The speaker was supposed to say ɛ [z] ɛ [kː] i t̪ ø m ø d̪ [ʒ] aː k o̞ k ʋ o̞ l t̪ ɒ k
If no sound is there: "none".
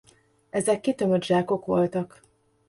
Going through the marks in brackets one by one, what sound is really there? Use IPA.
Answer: z, kː, ʒ

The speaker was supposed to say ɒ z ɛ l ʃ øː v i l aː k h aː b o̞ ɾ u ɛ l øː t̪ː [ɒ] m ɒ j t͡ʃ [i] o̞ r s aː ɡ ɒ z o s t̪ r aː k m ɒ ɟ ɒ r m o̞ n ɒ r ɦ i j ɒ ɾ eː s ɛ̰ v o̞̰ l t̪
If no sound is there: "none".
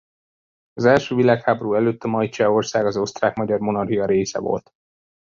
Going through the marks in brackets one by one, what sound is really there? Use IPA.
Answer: ɒ, ɛ

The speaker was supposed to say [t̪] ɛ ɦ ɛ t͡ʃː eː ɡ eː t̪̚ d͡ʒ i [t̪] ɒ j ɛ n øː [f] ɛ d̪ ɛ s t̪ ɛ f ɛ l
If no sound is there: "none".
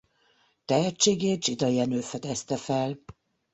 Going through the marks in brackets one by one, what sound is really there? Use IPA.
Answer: t̪, d̪, f

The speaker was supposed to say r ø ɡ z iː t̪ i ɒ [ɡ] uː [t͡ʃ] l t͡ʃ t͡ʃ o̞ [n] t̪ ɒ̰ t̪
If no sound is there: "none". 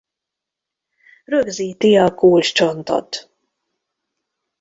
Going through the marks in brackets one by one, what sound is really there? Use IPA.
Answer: k, none, n

